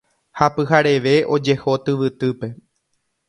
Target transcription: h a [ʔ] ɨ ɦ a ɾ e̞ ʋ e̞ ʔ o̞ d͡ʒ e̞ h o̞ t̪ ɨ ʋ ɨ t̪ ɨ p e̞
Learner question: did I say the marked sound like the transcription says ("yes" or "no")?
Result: no